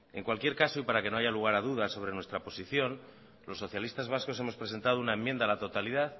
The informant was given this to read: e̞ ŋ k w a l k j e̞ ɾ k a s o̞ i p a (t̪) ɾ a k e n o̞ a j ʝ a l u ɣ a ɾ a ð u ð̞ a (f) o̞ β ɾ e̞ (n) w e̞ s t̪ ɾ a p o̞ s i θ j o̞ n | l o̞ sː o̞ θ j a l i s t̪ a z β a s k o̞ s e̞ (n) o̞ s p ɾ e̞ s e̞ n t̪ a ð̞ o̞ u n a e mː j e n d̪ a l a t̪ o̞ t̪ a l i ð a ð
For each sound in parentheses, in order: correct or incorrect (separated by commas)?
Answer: incorrect, incorrect, correct, incorrect